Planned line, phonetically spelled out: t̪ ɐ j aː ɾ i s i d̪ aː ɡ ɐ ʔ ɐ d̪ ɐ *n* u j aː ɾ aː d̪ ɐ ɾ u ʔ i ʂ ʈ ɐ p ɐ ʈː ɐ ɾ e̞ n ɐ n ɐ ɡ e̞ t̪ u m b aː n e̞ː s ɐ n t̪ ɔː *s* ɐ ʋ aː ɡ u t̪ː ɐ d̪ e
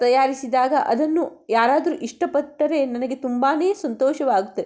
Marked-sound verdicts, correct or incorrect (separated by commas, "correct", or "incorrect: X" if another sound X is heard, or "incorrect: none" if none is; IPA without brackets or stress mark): incorrect: nː, incorrect: ʃ